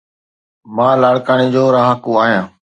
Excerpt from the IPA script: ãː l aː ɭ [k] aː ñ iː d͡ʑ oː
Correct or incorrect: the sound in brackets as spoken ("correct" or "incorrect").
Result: correct